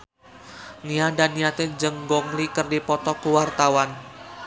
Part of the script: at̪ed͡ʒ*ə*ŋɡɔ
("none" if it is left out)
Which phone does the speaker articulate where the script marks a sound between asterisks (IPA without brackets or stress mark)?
ə